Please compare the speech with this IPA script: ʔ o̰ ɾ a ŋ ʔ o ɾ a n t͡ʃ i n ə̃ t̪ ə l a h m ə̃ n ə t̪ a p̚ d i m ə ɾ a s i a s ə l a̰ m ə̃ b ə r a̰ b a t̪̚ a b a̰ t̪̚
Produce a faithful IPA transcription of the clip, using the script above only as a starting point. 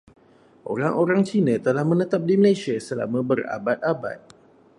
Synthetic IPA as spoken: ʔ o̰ ɾ a ŋ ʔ o ɾ a ŋ t͡ʃ i n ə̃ t̪ ə l a h m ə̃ n ə t̪ a p̚ d i m ə l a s i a s ə l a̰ m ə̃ b ə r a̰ b a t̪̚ a b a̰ t̪̚